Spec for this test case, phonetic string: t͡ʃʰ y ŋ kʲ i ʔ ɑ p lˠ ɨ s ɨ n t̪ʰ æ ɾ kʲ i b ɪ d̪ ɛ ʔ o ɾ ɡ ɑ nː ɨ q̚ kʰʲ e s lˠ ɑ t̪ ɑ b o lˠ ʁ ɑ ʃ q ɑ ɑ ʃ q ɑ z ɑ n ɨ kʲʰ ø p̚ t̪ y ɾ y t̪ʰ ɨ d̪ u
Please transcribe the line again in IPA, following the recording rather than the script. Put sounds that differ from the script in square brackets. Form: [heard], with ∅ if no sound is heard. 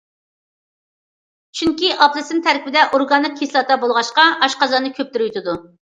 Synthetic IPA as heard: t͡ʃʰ y ŋ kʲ i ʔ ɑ p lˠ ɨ s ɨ n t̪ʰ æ ɾ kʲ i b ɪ d̪ ɛ ʔ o ɾ ɡ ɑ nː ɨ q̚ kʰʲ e s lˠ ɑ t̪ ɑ b o lˠ ʁ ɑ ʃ q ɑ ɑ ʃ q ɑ z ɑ n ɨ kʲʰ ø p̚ t̪ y ɾ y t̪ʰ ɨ d̪ u